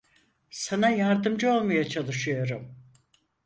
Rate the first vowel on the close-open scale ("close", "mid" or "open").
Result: open